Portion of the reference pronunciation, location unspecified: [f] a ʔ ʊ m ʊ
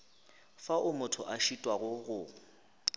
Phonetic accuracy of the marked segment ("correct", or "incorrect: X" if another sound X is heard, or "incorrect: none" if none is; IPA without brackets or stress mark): correct